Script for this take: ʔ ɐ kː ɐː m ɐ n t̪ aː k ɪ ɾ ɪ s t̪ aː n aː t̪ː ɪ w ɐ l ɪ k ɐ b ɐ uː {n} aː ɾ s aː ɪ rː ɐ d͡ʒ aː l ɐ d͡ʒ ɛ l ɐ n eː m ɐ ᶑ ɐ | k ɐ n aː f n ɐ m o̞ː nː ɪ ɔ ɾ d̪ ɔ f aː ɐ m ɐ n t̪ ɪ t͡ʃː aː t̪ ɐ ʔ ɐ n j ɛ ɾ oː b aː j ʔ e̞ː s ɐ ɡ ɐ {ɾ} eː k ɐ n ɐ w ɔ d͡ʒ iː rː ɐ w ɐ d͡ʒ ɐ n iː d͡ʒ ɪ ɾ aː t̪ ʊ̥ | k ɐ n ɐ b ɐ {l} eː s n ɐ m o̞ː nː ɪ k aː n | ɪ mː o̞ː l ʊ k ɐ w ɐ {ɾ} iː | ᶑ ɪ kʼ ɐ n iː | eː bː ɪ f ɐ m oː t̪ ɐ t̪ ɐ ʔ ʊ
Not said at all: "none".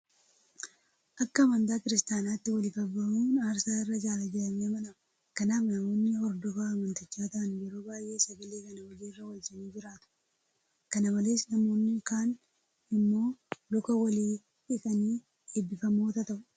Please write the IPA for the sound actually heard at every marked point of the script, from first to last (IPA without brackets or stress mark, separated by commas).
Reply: n, l, l, l